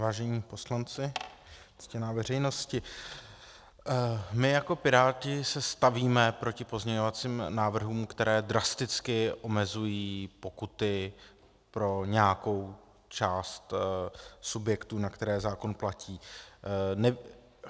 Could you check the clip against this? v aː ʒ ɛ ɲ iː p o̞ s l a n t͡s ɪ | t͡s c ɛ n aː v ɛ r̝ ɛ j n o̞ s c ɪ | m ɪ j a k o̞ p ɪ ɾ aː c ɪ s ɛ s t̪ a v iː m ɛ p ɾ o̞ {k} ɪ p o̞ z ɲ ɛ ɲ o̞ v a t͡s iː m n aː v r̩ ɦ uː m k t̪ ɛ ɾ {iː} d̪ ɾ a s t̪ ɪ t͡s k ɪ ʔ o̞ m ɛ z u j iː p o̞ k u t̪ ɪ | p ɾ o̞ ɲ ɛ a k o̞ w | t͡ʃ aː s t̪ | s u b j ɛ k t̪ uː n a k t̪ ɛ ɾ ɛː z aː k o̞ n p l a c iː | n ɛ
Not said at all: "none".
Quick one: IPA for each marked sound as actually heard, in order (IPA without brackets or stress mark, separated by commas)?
c, ɛː